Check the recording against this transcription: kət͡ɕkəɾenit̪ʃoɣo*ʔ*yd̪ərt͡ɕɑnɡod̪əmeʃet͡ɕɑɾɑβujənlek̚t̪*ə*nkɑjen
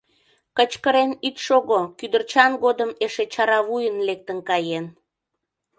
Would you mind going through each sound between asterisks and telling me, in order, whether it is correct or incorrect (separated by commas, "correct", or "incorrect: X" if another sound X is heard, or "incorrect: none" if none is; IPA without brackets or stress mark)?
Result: incorrect: k, correct